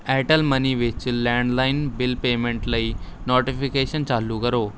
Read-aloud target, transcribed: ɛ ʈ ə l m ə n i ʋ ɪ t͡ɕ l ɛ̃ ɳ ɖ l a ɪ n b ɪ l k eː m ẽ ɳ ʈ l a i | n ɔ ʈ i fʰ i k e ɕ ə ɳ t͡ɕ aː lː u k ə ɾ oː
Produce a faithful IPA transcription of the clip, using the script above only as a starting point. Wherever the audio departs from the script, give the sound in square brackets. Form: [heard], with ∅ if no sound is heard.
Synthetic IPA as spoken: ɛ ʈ ə l m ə n i ʋ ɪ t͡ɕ l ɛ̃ ɳ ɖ l a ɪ n b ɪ l [p] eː m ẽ ɳ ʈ l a i | n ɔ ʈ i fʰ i k e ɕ ə [n] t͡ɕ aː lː u k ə ɾ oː